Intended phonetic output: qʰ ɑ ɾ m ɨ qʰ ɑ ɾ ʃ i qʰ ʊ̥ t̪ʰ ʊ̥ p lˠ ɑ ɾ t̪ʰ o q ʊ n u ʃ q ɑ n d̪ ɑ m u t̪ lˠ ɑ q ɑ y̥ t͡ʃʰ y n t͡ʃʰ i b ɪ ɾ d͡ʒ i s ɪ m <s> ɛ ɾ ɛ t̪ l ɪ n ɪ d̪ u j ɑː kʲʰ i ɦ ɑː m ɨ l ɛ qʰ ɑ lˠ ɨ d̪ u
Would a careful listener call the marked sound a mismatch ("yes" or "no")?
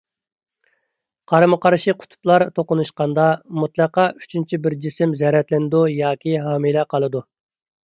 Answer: yes